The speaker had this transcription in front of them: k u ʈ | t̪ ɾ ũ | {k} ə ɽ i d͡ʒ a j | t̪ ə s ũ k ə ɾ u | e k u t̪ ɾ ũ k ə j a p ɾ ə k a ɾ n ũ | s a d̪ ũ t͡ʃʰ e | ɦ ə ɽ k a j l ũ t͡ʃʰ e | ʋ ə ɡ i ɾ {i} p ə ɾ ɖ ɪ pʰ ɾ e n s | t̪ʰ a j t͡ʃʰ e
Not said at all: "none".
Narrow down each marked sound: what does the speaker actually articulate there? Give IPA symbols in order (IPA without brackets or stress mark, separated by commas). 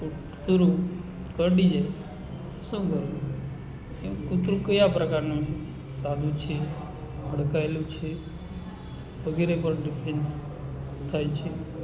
k, e